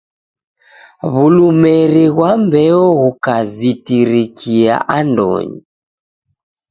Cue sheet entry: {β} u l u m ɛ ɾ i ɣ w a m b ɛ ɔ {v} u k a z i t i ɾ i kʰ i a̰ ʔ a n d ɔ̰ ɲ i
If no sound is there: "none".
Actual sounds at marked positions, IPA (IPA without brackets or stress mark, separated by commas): β, ɣ